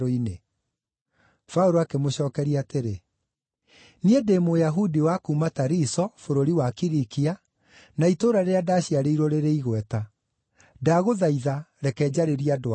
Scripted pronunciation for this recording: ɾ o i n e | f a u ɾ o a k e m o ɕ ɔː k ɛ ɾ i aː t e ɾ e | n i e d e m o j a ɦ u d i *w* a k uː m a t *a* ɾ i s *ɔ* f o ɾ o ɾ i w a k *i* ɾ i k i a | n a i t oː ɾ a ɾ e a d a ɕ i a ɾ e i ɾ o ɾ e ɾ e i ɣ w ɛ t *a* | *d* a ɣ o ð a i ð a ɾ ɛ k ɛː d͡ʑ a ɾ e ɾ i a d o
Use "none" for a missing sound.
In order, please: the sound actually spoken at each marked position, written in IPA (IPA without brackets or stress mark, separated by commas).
w, a, ɔ, i, a, d